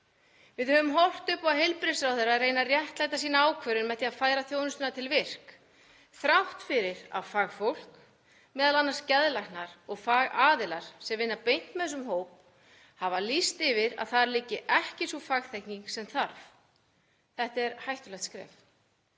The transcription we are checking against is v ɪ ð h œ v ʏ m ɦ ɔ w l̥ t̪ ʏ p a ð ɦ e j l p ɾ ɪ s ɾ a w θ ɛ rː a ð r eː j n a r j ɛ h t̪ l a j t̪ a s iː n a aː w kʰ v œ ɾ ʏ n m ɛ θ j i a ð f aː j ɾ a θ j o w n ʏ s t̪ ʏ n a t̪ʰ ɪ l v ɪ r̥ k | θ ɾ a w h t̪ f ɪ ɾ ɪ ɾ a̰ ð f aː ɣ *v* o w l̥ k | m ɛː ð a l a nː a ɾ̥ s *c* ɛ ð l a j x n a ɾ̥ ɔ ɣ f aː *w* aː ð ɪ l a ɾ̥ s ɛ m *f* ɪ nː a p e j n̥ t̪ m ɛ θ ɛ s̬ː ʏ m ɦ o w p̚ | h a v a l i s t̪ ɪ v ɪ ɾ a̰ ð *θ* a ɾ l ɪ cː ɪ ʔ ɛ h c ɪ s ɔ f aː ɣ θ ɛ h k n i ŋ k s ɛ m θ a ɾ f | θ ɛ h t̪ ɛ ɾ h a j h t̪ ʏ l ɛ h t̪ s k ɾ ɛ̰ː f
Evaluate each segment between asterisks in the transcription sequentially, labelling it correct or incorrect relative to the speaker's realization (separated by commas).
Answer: incorrect, correct, incorrect, incorrect, correct